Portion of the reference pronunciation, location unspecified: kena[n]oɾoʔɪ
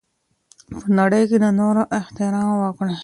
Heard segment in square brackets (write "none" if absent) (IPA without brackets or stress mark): n